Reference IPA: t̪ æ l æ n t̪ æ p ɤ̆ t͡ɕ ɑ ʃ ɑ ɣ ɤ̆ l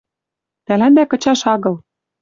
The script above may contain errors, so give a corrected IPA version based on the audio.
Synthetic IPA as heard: t̪ æ l æ n d̪ æ k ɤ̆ t͡ɕ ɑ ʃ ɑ ɣ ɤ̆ l